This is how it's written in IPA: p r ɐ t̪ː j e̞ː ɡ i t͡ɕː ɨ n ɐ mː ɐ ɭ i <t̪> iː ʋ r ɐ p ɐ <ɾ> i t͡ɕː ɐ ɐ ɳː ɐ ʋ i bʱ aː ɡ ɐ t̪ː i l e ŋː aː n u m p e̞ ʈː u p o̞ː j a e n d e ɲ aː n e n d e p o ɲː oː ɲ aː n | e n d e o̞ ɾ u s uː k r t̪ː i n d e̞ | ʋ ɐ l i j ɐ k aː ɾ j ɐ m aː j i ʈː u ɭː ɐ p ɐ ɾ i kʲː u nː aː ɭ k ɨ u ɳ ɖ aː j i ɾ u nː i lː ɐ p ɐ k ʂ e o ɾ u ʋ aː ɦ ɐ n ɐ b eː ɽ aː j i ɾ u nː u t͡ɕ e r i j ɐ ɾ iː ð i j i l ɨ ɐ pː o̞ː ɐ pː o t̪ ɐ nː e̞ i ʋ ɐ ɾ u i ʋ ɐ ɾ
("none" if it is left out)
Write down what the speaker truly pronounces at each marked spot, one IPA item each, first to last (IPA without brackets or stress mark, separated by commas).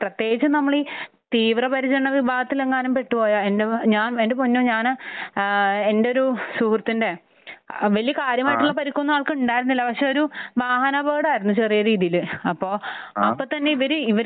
t̪, ɾ